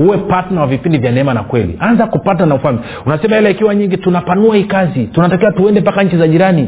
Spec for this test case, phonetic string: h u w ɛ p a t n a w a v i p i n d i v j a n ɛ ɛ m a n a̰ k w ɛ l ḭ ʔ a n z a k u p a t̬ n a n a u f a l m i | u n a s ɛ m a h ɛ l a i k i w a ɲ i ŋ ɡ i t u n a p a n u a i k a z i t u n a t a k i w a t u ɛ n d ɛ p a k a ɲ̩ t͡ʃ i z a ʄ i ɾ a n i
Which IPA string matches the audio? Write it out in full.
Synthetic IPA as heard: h u w ɛ p a t n a w a v i p i n d i v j a n ɛ ɛ m a n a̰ k w ɛ l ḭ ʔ a n z a k u p a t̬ n a n a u f a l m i | u n a s ɛ m a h ɛ l a i k i w a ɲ i ŋ ɡ i t u n a p a n u a i k a z i t u n a t a k i w a t u ɛ n d ɛ p a k a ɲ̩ t͡ʃ i z a ʄ i ɾ a n i